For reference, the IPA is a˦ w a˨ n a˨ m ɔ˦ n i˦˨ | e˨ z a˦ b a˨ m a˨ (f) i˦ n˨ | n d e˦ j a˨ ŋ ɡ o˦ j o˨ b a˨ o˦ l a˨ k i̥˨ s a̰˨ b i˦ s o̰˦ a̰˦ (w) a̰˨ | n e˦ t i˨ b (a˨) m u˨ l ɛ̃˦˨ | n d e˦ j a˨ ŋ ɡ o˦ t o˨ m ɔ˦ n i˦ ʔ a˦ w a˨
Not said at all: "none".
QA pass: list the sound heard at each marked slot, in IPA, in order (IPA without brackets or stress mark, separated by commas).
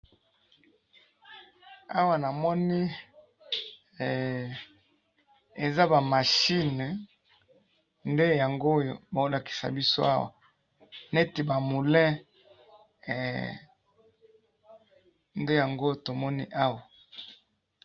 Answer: ʃ, w, a˨